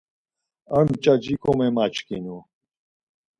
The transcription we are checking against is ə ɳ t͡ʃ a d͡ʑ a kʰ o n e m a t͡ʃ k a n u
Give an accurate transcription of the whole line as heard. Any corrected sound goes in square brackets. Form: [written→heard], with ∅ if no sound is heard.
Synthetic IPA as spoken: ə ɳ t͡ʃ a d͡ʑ [a→i] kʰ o [n→m] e m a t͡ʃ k [a→i] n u